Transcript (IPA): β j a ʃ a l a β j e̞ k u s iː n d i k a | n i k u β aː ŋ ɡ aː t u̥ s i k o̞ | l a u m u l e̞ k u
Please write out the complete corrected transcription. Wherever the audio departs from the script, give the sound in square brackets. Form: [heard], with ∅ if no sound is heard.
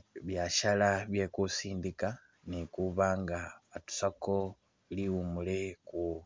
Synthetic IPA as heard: β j a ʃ a l a β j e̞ k u s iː n d i k a | n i k u β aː ŋ ɡ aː t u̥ s [a] k o̞ | l [i] u m u l e̞ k u